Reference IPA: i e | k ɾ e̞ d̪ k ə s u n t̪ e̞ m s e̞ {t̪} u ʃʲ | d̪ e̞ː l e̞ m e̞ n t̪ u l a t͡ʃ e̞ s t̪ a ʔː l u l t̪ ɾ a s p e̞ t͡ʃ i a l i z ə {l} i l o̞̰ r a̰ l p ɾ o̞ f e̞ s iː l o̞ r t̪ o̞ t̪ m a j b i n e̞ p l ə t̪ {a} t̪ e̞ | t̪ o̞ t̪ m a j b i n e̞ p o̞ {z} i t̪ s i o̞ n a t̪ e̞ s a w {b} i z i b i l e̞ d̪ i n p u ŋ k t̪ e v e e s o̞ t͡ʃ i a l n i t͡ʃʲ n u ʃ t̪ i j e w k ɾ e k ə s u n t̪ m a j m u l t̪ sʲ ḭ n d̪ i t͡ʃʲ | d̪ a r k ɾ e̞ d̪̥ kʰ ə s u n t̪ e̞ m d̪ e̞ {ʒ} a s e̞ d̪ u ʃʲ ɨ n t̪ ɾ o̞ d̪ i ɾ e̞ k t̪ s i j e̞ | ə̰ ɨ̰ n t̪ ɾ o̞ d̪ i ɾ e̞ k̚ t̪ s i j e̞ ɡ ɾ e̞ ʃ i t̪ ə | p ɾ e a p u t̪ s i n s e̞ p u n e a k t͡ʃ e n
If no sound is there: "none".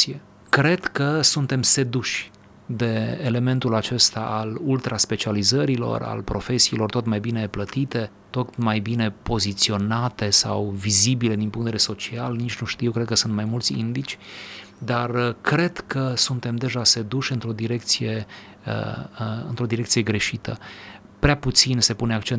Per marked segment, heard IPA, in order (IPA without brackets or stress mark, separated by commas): d̪, ɾ, i, z, v, ʒ